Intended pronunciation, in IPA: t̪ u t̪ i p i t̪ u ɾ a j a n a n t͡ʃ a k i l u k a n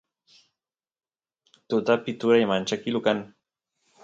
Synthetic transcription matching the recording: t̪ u t̪ a p i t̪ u ɾ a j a m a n t͡ʃ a k i l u k a n